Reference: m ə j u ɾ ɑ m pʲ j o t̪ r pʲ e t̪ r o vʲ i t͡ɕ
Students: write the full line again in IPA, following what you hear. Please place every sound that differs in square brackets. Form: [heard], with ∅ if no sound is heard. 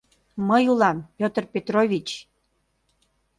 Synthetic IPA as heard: m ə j u [l] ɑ m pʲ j o t̪ r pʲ e t̪ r o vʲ i t͡ɕ

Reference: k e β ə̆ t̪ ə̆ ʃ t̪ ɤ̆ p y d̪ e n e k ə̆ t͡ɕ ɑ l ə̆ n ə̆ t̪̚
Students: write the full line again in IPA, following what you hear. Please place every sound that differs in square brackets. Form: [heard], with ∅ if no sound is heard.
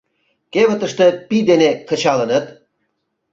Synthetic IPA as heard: k e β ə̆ t̪ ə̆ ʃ t̪ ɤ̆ p [i] d̪ e n e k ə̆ t͡ɕ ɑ l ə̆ n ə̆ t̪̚

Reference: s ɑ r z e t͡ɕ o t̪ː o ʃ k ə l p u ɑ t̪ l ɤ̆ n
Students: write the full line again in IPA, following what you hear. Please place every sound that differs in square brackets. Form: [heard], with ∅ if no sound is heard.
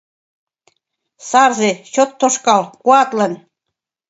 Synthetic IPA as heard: s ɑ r z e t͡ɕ o t̪ː o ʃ k [ɑ] l [k] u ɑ t̪ l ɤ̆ n

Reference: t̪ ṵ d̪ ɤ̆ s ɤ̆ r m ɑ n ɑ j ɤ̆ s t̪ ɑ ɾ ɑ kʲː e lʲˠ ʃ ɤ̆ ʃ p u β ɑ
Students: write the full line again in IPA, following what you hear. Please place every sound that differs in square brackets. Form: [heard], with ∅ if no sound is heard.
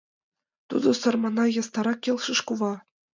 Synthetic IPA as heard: t̪ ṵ d̪ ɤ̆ s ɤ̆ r m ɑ n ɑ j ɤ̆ s t̪ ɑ ɾ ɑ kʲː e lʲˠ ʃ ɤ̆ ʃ [k] u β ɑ

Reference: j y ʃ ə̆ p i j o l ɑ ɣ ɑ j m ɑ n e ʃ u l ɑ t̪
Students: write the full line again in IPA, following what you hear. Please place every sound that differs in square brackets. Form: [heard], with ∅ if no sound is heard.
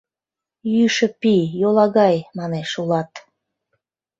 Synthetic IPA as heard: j y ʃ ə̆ p i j o l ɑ ɣ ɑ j m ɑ n e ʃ u l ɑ t̪

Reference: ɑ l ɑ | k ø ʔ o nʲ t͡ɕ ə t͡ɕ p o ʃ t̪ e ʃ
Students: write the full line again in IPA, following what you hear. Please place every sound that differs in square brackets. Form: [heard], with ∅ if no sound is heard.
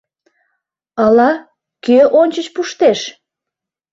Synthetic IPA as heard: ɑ l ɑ | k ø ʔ o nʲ t͡ɕ ə t͡ɕ p [u] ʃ t̪ e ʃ

